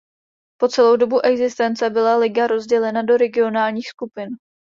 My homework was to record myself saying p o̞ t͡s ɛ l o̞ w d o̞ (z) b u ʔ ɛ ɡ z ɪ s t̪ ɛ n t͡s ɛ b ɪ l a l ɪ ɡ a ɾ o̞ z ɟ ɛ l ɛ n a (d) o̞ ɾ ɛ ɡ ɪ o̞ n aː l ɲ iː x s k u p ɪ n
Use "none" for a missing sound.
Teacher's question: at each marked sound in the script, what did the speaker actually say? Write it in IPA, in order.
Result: none, d

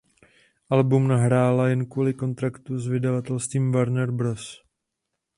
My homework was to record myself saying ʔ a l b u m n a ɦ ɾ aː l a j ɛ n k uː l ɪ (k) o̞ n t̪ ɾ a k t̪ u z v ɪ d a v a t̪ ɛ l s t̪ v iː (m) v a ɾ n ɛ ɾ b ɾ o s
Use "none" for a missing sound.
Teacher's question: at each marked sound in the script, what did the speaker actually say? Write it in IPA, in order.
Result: k, m

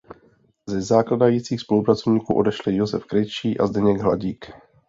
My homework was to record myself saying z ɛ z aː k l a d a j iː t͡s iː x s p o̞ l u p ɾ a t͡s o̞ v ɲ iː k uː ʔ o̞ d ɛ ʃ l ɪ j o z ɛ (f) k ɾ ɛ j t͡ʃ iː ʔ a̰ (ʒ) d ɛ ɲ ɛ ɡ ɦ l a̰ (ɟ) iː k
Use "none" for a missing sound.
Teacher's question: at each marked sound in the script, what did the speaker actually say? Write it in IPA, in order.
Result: f, z, ɟ

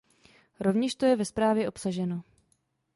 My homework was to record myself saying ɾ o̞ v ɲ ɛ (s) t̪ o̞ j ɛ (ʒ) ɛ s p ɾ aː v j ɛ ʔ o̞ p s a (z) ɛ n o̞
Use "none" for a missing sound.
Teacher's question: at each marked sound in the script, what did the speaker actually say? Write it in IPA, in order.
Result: ʃ, v, ʒ

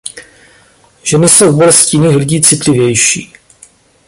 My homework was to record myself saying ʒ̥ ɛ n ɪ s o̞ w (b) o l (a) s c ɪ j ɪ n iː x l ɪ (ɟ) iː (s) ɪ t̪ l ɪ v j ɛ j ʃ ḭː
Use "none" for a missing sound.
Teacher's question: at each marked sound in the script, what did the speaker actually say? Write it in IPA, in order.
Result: b, ɛ, ɟ, t͡s

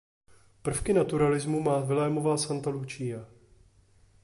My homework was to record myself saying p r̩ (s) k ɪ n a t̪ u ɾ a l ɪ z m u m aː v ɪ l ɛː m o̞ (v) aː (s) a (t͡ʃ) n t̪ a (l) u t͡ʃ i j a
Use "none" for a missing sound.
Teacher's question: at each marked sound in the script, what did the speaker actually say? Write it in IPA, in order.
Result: f, v, s, none, l

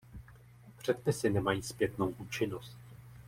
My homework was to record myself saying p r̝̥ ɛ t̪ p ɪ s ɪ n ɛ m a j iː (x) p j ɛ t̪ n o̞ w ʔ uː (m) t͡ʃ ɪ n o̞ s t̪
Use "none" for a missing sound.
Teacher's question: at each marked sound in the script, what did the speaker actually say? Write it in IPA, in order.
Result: s, none

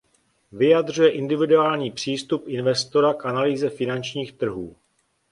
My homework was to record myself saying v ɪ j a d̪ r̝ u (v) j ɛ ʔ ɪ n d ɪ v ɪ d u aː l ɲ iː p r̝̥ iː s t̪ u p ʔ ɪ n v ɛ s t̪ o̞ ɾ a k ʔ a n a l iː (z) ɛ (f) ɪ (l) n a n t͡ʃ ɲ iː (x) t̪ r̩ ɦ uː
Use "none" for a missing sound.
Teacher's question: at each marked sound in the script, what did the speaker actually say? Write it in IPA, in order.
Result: none, z, f, none, x

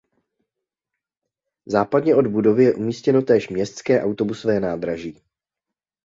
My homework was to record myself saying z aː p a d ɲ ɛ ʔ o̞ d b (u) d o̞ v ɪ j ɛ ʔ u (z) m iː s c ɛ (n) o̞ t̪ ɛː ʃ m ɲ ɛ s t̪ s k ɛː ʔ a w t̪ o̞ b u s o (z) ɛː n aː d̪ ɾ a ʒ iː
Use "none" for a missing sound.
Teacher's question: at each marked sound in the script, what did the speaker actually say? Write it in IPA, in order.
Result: u, none, n, v

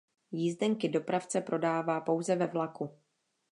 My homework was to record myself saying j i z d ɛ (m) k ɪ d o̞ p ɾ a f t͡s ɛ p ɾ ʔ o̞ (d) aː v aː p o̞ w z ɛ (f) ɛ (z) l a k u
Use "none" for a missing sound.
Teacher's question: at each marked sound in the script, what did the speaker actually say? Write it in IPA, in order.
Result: ŋ, d, v, v

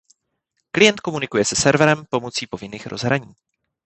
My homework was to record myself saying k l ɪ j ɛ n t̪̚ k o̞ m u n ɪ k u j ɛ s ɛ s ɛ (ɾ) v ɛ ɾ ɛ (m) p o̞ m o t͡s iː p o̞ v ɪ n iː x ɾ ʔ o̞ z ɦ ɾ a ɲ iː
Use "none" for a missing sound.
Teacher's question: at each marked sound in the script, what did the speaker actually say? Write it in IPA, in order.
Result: ɾ, m

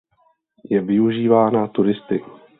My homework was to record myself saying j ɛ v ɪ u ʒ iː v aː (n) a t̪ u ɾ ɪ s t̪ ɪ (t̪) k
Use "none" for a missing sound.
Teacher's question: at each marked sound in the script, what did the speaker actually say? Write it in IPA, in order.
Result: n, none

